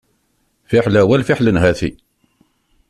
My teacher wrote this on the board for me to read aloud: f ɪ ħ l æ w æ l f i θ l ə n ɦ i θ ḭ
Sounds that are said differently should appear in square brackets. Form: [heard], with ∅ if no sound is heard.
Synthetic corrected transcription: f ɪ ħ l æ w æ l f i [ħ] l ə n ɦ [æ] θ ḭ

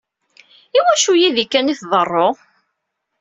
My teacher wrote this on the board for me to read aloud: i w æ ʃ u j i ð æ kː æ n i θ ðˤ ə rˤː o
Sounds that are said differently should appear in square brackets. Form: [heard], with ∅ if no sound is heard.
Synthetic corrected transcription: i w æ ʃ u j i ð [i] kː æ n i θ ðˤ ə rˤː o

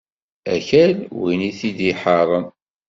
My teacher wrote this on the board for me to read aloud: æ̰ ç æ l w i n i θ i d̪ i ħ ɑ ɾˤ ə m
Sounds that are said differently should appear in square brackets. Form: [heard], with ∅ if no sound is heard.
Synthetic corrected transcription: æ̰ ç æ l w i n i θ i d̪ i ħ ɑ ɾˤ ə [n]

